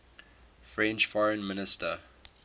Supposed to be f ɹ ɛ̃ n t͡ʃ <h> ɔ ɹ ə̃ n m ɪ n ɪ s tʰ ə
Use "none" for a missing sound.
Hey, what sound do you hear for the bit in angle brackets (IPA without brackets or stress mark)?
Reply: f